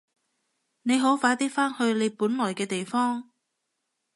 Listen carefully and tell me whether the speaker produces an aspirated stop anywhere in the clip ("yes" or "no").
no